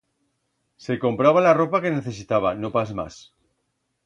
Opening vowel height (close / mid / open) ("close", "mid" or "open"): mid